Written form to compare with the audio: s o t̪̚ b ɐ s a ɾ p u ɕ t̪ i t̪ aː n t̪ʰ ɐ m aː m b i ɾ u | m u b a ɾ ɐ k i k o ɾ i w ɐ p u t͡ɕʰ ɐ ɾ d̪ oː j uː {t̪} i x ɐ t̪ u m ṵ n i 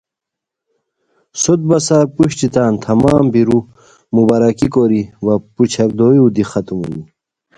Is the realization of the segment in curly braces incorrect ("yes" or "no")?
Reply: yes